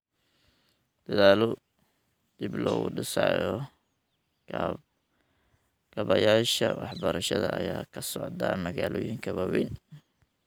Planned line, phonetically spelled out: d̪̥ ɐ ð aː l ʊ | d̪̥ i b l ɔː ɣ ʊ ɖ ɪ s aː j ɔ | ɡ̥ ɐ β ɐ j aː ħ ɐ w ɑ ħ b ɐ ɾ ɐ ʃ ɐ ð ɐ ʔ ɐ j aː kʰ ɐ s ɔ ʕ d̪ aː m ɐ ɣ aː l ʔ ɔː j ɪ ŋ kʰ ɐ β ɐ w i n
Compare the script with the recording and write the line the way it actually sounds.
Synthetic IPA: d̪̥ ɐ ð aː l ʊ | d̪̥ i b l ɔː ɣ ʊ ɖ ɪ s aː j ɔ | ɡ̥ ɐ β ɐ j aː ʃ ɐ w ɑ ħ b ɐ ɾ ɐ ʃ ɐ ð ɐ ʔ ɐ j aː kʰ ɐ s ɔ ʕ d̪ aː m ɐ ɣ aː l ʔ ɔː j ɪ ŋ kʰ ɐ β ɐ w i n